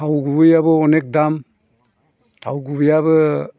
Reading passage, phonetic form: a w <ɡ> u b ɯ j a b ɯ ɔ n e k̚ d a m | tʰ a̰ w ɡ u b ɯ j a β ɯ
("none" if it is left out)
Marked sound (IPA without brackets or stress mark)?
ɡ